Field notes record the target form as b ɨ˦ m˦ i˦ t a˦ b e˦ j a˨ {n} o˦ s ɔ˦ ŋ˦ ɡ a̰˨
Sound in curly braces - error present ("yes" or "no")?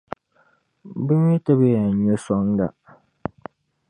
yes